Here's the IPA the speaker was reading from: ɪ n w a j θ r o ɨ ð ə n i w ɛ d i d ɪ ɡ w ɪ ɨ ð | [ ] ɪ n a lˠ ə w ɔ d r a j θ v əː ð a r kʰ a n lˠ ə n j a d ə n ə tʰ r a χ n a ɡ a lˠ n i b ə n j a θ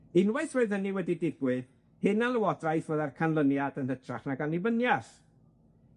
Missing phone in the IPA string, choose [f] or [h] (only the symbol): h